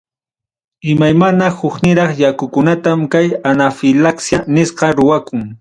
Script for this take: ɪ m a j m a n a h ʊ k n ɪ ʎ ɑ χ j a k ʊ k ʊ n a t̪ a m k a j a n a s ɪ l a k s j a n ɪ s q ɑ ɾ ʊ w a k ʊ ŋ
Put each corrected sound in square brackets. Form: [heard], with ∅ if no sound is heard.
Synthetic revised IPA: ɪ m a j m a n a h ʊ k n ɪ [ɾ] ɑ χ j a k ʊ k ʊ n a t̪ a m k a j a n a [f] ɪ l a k s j a n ɪ s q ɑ ɾ ʊ w a k ʊ ŋ

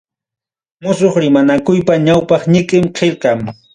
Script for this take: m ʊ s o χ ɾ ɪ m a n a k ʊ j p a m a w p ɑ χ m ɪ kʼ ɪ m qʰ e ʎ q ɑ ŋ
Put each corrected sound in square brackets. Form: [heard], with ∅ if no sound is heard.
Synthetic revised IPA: m ʊ s o χ ɾ ɪ m a n a k ʊ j p a [ɲ] a w p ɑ χ [ɲ] ɪ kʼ ɪ m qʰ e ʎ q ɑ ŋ

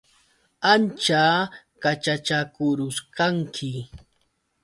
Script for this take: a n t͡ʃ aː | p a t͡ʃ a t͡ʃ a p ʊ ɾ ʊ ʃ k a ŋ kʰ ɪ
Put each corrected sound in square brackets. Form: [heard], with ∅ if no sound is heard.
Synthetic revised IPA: a n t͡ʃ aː | [k] a t͡ʃ a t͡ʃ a [k] ʊ ɾ ʊ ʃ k a ŋ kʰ ɪ

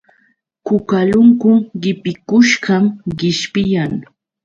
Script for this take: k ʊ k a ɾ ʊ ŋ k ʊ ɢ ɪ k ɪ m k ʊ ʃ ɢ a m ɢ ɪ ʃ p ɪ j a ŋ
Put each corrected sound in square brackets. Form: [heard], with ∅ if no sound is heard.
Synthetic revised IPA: k ʊ k a [l] ʊ ŋ k ʊ ɢ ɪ [p] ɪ [∅] k ʊ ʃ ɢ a m ɢ ɪ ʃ p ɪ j a ŋ

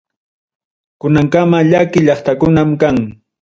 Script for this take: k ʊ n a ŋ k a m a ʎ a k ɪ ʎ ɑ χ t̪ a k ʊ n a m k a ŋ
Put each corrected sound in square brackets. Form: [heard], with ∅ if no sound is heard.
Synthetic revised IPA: k ʊ n a ŋ k a m a ʎ a k ɪ ʎ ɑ χ t̪ a k ʊ n a m k a ŋ

